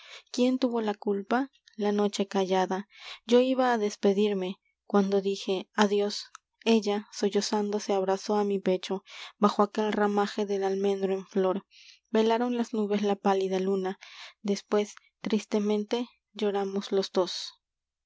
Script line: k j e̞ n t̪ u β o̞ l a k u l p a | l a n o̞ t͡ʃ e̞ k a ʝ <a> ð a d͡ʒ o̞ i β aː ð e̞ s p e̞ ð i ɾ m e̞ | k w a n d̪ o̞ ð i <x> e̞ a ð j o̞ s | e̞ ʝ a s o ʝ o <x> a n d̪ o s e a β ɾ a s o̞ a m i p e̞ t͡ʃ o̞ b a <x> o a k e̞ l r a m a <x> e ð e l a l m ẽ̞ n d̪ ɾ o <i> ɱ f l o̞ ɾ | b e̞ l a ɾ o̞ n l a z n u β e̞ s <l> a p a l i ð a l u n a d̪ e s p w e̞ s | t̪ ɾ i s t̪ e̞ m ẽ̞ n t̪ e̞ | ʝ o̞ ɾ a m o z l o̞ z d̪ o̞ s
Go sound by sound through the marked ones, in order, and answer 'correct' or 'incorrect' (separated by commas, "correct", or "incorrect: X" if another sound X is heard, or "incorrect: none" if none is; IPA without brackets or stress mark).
correct, correct, incorrect: s, correct, correct, incorrect: e, correct